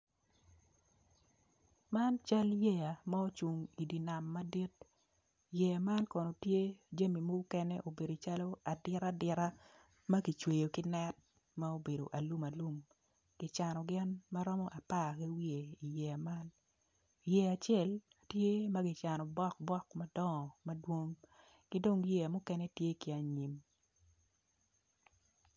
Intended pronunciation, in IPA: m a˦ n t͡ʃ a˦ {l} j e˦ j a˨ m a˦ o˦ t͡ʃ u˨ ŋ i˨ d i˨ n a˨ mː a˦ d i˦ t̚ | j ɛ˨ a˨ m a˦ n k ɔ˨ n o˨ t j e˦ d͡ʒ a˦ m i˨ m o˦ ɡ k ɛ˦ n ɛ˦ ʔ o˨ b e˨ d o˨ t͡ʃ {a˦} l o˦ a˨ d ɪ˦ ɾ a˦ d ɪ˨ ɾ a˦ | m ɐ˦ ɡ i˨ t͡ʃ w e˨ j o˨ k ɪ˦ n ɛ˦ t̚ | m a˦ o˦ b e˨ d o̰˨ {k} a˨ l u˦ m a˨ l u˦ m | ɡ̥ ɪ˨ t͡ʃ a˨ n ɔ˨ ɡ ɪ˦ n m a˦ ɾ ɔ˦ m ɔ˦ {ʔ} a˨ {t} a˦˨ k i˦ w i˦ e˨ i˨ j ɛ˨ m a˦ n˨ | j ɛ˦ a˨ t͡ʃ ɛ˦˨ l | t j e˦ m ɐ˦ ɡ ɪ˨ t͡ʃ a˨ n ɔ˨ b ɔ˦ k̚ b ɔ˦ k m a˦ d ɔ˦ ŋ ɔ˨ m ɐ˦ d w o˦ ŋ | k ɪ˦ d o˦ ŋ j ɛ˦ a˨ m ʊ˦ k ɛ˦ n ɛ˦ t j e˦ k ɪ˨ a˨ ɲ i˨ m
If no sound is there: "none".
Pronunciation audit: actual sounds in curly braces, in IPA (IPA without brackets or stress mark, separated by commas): l, a˦, ʔ, ʔ, p